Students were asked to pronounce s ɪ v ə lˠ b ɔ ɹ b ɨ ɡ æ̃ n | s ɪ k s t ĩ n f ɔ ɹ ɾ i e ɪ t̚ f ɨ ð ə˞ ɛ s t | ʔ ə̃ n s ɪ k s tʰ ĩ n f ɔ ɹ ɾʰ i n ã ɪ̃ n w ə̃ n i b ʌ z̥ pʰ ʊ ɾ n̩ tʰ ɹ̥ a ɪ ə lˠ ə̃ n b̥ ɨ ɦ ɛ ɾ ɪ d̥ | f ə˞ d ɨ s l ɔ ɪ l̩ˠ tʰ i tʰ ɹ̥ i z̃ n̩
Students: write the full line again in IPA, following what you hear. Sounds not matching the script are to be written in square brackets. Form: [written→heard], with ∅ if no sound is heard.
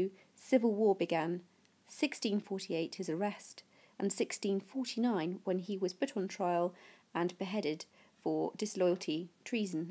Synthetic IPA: s ɪ v ə lˠ [b→w] ɔ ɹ b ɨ ɡ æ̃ n | s ɪ k s t ĩ n f ɔ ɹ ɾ i e ɪ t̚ [f→h] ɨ [ð→z] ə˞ ɛ s t | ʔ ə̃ n s ɪ k s [tʰ→t] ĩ n f ɔ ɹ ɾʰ i n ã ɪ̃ n w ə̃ n i [b→w] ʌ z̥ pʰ ʊ ɾ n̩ tʰ ɹ̥ a ɪ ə lˠ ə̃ n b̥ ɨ ɦ ɛ ɾ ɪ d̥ | f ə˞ d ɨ s l ɔ ɪ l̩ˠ tʰ i tʰ ɹ̥ i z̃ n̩